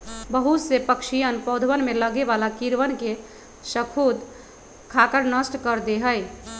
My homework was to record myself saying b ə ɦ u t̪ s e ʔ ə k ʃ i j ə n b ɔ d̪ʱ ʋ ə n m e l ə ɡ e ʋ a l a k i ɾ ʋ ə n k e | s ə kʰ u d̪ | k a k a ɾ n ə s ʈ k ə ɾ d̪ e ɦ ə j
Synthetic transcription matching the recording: b ə ɦ u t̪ s e p ə k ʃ i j ə n p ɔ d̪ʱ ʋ ə n m e l ə ɡ e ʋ a l a k i ɾ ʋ ə n k e | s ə kʰ u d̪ | kʰ a k ə ɾ n ə s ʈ k ə ɾ d̪ e ɦ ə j